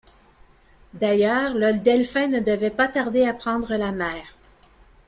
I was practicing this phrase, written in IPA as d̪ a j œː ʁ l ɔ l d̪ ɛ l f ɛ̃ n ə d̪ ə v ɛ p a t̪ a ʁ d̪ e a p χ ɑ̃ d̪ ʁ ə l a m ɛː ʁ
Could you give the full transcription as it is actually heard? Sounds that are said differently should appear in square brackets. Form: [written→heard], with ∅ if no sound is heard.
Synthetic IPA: d̪ a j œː ʁ l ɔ l d̪ ɛ l f ɛ̃ n ə d̪ ə v ɛ p a t̪ a ʁ d̪ e a p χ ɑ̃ d̪ ʁ ə l a m ɛː ʁ